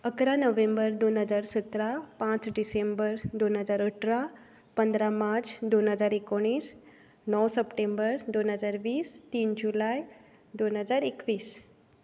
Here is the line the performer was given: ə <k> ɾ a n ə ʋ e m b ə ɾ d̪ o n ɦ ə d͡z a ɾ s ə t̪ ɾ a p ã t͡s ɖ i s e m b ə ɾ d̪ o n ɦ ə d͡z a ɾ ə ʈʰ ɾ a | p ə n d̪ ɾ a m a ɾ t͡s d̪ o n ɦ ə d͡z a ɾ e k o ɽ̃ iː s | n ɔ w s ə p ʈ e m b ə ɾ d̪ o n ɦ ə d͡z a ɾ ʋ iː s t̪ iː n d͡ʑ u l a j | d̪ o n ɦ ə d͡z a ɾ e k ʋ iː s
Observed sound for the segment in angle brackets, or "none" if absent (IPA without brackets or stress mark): k